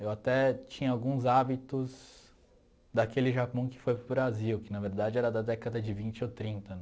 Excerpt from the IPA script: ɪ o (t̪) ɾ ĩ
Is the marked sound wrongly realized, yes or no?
no